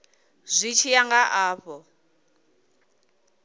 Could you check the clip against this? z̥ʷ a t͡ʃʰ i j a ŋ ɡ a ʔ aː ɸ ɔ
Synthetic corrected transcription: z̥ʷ i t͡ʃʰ i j a ŋ ɡ a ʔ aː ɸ ɔ